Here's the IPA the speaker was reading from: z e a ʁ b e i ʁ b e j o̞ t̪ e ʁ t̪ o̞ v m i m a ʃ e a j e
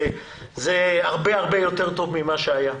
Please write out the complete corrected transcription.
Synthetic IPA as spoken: z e a ʁ b e a ʁ b e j o̞ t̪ e ʁ t̪ o̞ v m i m a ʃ e a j a

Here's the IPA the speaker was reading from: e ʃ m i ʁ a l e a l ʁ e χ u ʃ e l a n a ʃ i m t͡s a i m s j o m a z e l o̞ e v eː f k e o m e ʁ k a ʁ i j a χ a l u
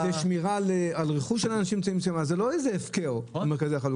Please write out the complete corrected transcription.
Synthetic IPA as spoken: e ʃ m i ʁ a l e a l ʁ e χ u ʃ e l a n a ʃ i m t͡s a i m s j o m a z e l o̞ e z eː f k e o m e ʁ k a z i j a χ a l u

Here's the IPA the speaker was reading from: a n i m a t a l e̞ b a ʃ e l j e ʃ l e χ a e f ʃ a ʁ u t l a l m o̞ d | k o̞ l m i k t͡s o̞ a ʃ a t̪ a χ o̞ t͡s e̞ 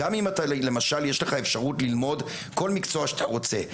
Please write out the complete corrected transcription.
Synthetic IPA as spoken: a m i m a t a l e̞ m a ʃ a l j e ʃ l e χ a e f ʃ a ʁ u t l i l m o̞ d | k o̞ l m i k t͡s o̞ a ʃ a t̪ a ʁ o̞ t͡s e̞

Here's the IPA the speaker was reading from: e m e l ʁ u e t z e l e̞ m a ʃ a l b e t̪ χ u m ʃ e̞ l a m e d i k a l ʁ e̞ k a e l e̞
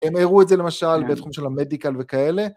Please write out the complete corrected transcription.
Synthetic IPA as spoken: e m e ʁ u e t z e l e̞ m a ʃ a l b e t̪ χ u m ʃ e̞ l a m e d i k a l v e̞ k a e l e̞

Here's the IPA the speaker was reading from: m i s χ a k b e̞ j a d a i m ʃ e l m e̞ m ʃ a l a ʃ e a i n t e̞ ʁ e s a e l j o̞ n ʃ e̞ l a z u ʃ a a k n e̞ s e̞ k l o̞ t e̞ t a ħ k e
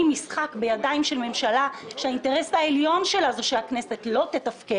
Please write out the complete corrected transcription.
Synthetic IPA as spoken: m i s χ a k b e̞ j a d a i m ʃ e l m e̞ m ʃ a l a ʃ e a i n t e̞ ʁ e s a e l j o̞ n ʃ e̞ l a z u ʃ e a k n e̞ s e̞ t l o̞ t e̞ t a f k e

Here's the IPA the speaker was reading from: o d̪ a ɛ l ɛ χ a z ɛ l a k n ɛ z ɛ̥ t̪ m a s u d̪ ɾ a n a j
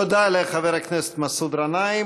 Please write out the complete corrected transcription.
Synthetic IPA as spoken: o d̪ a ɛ l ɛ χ a v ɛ ɾ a k n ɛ s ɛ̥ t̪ m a s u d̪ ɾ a n a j

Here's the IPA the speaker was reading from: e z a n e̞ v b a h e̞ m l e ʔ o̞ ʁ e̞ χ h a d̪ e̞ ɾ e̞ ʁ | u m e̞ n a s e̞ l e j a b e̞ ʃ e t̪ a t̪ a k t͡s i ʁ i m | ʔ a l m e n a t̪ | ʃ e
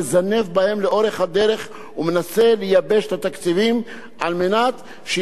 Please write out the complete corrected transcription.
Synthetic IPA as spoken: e z a n e̞ v b a h e̞ m l e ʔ o̞ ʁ e̞ χ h a d̪ e̞ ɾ e̞ χ | u m e̞ n a s e̞ l e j a b e̞ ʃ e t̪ a t̪ a k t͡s i v i m | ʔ a l m e n a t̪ | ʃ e

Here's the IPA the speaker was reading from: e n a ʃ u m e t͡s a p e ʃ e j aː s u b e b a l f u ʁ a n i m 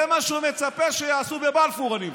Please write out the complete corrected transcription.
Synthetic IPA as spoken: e m a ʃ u m e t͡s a p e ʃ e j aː s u b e b a l f u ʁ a n i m

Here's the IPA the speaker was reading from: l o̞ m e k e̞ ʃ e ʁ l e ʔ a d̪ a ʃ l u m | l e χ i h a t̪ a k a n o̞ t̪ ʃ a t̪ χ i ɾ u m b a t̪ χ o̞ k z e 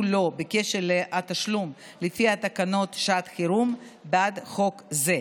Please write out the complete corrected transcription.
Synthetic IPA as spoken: l o̞ b e k e̞ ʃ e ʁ l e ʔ a t̪ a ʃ l u m | l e f i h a t̪ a k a n o̞ t̪ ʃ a t̪ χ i ɾ u m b a d̪ χ o̞ k z e

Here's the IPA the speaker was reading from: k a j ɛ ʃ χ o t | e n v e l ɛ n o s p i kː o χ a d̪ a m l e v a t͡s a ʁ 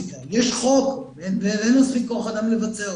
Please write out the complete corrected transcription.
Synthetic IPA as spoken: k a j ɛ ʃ χ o k | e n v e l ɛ n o s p i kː o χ a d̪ a m l e v a t͡s e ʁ

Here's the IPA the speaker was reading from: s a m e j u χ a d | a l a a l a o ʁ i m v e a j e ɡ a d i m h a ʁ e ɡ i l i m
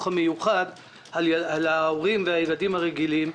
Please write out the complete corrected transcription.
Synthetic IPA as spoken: χ a m e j u χ a d | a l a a l a o ʁ i m v e a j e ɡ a d i m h a ʁ e ɡ i l i m

